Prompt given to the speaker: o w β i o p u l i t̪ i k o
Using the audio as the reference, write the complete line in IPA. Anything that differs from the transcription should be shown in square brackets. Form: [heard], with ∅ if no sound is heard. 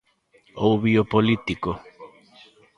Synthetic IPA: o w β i o p [o] l i t̪ i k o